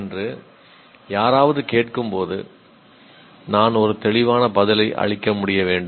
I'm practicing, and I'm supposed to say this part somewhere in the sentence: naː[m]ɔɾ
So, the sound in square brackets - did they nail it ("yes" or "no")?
no